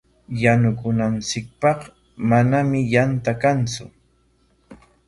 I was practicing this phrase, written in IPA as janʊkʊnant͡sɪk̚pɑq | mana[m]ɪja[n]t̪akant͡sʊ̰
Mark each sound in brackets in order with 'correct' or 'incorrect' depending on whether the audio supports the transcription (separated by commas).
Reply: correct, correct